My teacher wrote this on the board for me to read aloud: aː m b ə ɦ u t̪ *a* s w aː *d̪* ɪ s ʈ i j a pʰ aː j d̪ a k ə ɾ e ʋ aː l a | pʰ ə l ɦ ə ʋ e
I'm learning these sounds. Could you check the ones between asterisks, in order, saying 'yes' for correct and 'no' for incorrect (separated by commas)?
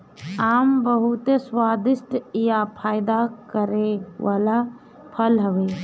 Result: no, yes